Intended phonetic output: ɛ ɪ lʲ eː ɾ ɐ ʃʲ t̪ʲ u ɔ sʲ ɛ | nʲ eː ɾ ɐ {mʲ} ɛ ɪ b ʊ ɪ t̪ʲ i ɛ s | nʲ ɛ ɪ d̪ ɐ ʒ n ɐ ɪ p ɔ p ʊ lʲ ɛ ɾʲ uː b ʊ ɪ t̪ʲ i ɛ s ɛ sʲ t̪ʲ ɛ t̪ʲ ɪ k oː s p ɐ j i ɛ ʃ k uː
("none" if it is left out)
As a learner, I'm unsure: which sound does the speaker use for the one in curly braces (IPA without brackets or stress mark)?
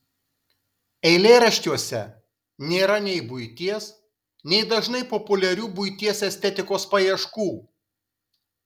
nʲ